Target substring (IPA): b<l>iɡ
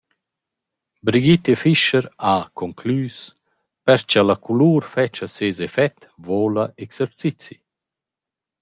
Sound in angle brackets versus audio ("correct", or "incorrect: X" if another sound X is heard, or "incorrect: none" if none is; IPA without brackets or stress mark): incorrect: ɾ